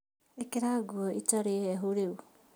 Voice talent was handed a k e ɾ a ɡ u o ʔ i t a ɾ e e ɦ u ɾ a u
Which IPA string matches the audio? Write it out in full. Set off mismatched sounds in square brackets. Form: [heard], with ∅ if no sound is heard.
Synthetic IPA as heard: [e] k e ɾ a ɡ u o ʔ i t a ɾ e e ɦ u ɾ [e] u